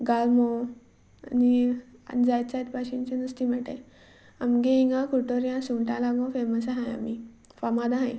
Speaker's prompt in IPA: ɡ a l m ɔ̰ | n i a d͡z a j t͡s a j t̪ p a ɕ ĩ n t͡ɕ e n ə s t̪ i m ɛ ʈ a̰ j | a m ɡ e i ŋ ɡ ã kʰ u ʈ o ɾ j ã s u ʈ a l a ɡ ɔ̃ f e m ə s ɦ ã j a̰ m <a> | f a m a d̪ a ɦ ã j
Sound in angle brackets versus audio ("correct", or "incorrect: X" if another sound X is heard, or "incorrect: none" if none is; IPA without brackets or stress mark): incorrect: i